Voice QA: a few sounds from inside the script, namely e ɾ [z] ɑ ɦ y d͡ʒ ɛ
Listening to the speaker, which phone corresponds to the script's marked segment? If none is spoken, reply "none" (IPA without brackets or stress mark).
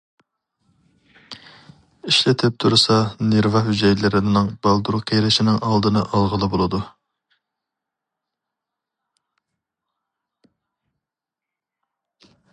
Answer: v